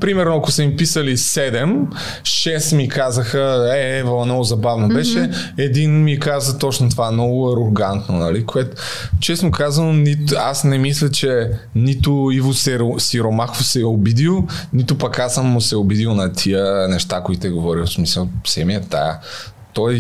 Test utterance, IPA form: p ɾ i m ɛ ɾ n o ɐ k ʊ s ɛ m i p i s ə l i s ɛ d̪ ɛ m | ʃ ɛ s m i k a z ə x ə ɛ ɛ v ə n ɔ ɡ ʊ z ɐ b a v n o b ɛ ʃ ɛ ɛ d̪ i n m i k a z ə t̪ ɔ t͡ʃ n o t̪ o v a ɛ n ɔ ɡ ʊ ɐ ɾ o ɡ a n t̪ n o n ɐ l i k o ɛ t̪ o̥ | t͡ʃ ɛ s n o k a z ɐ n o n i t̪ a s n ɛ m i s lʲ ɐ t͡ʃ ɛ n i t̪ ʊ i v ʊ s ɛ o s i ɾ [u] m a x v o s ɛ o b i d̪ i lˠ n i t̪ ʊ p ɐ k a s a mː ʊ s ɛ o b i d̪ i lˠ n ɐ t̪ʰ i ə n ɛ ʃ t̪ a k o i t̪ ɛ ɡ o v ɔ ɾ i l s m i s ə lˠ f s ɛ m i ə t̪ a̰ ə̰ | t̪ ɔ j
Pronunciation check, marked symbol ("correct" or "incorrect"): incorrect